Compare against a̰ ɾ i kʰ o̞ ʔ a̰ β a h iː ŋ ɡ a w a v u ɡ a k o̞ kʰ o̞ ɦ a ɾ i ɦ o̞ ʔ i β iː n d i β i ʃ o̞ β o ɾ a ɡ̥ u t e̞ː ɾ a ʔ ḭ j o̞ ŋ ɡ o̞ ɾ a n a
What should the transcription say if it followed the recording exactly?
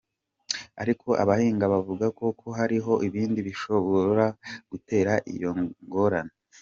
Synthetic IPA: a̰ ɾ i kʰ o̞ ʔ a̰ β a h iː ŋ ɡ a β a v u ɡ a k o̞ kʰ o̞ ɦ a ɾ i ɦ o̞ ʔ i β iː n d i β i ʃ o̞ β o ɾ a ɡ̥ u t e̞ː ɾ a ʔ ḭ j o̞ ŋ ɡ o̞ ɾ a n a